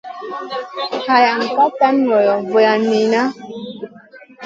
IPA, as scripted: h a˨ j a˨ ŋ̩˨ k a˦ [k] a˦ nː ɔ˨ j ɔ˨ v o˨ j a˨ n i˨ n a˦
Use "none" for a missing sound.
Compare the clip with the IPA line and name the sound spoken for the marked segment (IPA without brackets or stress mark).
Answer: t